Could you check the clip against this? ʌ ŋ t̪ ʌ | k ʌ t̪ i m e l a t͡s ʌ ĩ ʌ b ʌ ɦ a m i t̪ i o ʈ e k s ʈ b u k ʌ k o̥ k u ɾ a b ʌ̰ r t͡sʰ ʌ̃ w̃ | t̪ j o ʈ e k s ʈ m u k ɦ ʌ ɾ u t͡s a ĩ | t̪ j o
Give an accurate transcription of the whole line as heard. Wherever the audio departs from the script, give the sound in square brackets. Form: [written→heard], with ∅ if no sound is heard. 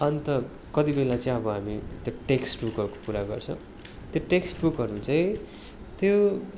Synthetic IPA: ʌ [ŋ→n] t̪ ʌ | k ʌ t̪ i [m→b] e l a t͡s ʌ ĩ ʌ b ʌ ɦ a m i t̪ [i→j] o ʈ e k s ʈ b u k ʌ k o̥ k u ɾ a [b→ɡ] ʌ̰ r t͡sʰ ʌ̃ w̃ | t̪ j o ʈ e k s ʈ [m→b] u k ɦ ʌ ɾ u t͡s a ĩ | t̪ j o